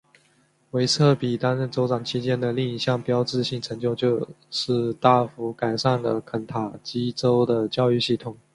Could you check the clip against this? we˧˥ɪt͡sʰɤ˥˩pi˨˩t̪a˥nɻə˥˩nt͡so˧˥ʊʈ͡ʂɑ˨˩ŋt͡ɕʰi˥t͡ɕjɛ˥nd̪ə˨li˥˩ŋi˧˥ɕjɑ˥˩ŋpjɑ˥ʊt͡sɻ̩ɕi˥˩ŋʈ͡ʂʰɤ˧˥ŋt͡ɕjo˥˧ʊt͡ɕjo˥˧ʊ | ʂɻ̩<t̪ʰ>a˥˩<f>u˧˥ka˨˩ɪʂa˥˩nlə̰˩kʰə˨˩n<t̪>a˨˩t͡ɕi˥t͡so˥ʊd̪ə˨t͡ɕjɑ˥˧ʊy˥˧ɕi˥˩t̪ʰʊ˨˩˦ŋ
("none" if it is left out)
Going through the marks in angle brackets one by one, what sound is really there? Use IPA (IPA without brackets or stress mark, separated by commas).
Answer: t̪, f, t̪ʰ